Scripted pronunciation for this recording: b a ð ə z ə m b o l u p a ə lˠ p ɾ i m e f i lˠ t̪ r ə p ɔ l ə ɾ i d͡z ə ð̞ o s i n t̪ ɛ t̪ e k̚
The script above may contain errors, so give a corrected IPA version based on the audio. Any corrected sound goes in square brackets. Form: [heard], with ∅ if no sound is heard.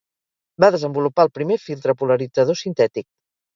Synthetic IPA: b a ð ə z ə m b [u] l u p a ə lˠ p ɾ i m e f i lˠ t̪ [ɾ] ə p [u] l ə ɾ i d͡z ə ð̞ o s i n t̪ ɛ t̪ [i] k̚